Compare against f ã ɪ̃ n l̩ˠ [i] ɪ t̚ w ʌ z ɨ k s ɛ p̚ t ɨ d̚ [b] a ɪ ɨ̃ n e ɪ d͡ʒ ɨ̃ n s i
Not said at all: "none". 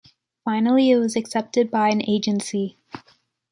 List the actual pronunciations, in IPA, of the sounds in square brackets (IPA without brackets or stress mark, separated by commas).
i, b